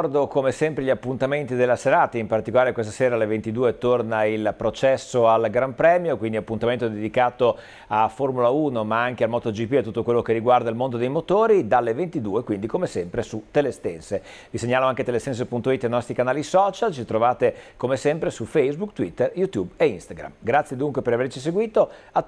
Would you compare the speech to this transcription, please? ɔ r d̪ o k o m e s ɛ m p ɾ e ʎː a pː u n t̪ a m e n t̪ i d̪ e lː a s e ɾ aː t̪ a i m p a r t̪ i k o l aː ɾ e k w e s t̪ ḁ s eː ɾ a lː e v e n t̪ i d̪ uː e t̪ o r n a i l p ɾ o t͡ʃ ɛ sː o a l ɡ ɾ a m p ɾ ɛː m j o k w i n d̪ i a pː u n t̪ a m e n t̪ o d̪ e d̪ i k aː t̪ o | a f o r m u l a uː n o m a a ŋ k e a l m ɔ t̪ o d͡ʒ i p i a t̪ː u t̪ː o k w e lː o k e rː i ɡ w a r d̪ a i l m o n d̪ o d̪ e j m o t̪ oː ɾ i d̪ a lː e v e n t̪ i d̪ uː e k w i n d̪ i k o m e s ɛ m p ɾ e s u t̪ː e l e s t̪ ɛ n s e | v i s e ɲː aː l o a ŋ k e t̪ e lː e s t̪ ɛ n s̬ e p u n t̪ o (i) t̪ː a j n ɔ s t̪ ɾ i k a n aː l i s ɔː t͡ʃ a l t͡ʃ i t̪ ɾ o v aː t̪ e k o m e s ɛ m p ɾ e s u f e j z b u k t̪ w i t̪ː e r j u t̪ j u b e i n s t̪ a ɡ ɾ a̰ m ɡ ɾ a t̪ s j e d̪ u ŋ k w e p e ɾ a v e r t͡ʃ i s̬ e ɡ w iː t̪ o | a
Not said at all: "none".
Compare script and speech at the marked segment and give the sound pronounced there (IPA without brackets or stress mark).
i